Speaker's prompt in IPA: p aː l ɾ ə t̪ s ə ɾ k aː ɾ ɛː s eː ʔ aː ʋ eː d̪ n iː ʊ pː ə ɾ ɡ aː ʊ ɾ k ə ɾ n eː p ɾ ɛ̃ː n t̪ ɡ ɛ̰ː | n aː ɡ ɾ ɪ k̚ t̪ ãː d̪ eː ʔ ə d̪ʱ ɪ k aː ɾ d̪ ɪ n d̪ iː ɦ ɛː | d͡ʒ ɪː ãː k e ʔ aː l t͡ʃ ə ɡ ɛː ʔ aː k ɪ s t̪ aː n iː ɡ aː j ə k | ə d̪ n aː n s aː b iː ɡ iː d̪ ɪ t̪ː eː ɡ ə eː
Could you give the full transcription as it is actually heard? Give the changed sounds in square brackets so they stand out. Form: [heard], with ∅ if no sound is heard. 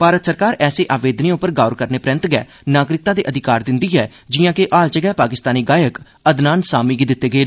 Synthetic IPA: p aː [∅] ɾ ə t̪ s ə ɾ k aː ɾ ɛː s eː ʔ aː ʋ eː d̪ n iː ʊ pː ə ɾ ɡ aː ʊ ɾ k ə ɾ n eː p ɾ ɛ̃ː n t̪ ɡ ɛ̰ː | n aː ɡ ɾ ɪ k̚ t̪ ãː d̪ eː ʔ ə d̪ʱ ɪ k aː ɾ d̪ ɪ n d̪ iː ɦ ɛː | d͡ʒ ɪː ãː k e ʔ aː l t͡ʃ ə ɡ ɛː [p] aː k ɪ s t̪ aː n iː ɡ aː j ə k | ə d̪ n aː n s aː [m] iː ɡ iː d̪ ɪ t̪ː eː ɡ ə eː